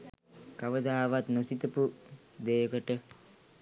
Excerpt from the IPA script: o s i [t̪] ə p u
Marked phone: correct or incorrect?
correct